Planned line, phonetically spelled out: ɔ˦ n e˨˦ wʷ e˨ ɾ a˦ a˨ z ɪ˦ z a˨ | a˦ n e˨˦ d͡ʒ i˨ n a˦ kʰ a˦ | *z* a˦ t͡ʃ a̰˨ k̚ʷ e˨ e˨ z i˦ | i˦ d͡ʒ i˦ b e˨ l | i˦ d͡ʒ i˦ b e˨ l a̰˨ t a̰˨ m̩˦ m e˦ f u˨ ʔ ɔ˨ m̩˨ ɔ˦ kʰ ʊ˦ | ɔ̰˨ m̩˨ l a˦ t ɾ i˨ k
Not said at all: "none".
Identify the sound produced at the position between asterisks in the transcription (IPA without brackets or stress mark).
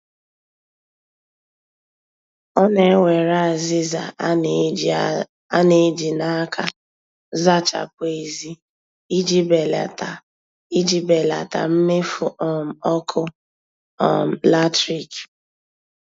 z